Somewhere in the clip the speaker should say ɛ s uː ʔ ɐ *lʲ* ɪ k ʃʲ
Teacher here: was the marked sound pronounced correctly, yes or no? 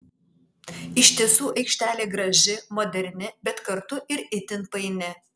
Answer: no